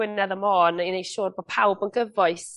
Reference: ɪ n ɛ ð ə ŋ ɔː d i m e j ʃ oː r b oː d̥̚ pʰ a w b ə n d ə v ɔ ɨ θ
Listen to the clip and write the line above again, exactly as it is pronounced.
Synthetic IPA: ɪ n ɛ ð ə m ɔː n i n e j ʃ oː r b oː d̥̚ pʰ a w b ə n ɡ ə v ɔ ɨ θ

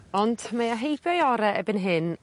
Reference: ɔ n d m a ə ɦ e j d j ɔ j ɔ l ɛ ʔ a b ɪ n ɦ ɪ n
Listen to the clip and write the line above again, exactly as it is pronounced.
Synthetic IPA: ɔ n d m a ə ɦ e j b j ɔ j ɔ ɾ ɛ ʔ ɛ b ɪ n ɦ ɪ n

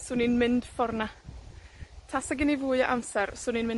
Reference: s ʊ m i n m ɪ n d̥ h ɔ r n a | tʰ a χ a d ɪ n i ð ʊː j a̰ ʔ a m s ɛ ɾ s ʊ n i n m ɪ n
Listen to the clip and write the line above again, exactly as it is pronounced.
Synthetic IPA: s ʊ n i n m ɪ n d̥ f ɔ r n a | tʰ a s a ɡ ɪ n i v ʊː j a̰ ʔ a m s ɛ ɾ s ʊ n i n m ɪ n

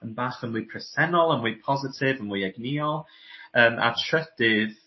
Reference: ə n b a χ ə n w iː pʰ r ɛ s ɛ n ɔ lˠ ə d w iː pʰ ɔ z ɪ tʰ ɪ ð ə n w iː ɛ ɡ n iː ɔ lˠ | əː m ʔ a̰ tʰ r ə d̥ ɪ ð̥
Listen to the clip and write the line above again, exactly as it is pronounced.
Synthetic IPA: ə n b a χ ə n w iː pʰ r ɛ s ɛ n ɔ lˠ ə n w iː pʰ ɔ z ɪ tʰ ɪ v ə n w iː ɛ ɡ n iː ɔ lˠ | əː m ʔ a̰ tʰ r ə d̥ ɪ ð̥

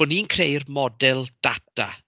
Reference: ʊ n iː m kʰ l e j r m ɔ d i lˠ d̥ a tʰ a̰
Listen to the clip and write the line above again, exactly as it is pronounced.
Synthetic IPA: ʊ n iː n kʰ r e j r m ɔ d ɛ lˠ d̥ a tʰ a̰

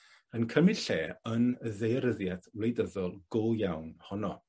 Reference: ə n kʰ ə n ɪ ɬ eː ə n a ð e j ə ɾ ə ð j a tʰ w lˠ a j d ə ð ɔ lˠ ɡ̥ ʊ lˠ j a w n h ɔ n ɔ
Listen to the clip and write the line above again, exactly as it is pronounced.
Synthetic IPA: ə n kʰ ə m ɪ ɬ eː ə n ə ð e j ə ɾ ə ð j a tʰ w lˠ e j d ə ð ɔ lˠ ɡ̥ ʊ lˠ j a w n h ɔ n ɔ

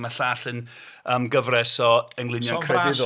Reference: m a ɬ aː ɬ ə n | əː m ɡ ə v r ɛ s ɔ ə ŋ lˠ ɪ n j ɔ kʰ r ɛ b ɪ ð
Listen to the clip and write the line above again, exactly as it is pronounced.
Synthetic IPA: m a ɬ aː ɬ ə n | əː m ɡ ə v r ɛ s ɔ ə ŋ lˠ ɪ n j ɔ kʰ r ɛ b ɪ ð

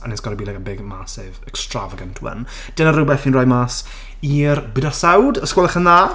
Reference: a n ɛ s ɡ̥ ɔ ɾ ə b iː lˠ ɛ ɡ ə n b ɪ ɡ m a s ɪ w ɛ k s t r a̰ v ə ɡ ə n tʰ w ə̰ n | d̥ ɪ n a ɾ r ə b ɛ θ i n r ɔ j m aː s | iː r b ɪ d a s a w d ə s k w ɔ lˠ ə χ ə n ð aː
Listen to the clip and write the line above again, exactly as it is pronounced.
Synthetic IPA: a n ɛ s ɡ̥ ɔ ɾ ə b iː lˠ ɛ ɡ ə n b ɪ ɡ m a s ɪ v ɛ k s t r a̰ v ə ɡ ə n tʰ w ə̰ n | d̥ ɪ n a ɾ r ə b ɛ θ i n r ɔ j m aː s | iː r b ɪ d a s a w d ə s k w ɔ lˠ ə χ ə n ð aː

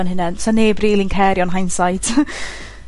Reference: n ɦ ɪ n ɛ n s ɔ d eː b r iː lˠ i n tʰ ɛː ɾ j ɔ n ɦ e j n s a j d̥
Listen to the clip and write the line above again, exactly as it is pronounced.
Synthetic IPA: n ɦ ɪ n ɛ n s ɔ n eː b r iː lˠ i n kʰ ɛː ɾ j ɔ n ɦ a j n s a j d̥

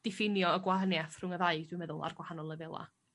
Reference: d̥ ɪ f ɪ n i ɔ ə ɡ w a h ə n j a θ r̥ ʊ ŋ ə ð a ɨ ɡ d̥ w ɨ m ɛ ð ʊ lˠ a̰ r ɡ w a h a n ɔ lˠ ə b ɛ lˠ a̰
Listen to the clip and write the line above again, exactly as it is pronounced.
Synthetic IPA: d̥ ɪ f ɪ n j ɔ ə ɡ w a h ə n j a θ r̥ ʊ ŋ ə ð a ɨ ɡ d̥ w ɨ m ɛ ð ʊ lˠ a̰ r ɡ w a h a n ɔ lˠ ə v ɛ lˠ a̰

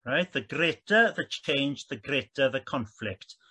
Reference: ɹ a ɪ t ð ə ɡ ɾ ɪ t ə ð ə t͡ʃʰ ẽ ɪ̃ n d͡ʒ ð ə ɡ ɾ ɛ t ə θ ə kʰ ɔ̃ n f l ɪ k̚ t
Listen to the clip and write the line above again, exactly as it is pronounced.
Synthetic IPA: ɹ a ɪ t ð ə ɡ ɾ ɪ t ə ð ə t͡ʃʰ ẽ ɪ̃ n d͡ʒ ð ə ɡ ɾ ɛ t ə ð ə kʰ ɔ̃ n f l ɪ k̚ t

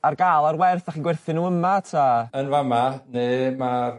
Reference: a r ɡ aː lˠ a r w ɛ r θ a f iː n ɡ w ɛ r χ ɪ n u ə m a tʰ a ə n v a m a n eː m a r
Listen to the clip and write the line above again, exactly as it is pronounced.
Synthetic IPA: a r ɡ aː lˠ a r w ɛ r θ a χ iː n ɡ w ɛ r θ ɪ n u ə m a tʰ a ə n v a m a n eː m a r

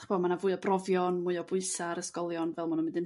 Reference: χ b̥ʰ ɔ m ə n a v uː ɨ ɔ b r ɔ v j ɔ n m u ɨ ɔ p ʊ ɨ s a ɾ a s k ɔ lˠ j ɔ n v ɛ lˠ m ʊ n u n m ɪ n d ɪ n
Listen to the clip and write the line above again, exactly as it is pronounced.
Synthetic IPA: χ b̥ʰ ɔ m a n a v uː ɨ ɔ b r ɔ v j ɔ n m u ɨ ɔ b ʊ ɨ s a ɾ ə s k ɔ lˠ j ɔ n v ɛ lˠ m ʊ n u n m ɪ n d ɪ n

